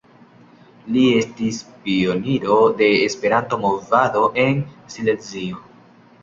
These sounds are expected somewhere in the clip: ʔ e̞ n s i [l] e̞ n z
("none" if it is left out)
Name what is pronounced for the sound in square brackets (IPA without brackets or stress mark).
l